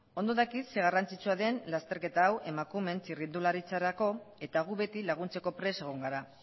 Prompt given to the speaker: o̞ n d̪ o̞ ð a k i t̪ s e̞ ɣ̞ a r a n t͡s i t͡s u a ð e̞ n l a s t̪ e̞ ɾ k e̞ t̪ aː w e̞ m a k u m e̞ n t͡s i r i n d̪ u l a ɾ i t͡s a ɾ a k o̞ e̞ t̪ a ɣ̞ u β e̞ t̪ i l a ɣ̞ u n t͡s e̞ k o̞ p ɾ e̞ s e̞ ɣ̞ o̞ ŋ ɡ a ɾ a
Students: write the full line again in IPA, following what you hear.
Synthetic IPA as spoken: o̞ n d̪ o̞ ð a k i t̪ s e̞ ɣ̞ a r a n t͡s i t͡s u a ð e̞ n l a s t̪ e̞ ɾ k e̞ t̪ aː w e̞ m a k u m e̞ n t͡s i r i n d̪ u l a ɾ i t͡s a ɾ a k o̞ e̞ t̪ a ɣ̞ u β e̞ t̪ i l a ɣ̞ u n t͡s e̞ k o̞ p ɾ e̞ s e̞ ɣ̞ o̞ ŋ ɡ a ɾ a